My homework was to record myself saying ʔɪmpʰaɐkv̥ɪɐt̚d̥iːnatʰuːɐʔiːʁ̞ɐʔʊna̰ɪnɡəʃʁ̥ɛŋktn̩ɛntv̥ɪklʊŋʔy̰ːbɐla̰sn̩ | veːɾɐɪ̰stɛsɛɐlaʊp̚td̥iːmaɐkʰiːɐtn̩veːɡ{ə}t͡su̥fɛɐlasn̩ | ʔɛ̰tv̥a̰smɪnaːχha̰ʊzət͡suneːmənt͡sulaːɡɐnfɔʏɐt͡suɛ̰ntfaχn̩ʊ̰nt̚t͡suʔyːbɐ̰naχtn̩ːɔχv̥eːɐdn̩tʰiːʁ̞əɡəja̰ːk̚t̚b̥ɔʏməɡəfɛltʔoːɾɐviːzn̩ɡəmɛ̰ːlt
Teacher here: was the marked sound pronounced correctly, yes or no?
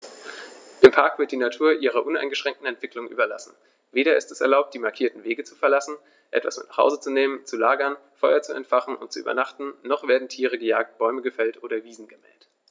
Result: yes